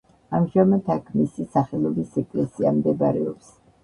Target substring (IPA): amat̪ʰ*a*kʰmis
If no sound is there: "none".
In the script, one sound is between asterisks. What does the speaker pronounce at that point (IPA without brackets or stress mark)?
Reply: a